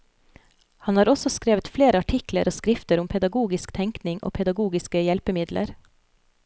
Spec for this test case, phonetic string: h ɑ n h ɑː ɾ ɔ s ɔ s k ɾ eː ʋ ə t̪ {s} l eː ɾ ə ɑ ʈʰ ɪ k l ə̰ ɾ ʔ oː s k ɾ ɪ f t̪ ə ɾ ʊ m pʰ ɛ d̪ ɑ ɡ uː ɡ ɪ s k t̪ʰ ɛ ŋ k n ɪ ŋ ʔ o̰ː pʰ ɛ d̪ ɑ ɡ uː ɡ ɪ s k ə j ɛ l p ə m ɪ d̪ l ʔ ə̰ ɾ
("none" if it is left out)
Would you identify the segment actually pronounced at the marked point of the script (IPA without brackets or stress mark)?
f